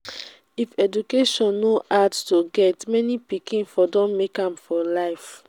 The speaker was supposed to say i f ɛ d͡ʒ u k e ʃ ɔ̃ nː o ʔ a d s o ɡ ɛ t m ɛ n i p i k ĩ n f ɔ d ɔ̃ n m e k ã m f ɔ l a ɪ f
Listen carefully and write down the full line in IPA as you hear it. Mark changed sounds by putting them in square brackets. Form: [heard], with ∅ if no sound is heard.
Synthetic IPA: i f ɛ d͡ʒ u k e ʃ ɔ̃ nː o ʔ a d [t] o ɡ ɛ t m ɛ n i p i k ĩ n f ɔ d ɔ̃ n m e k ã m f ɔ l a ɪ f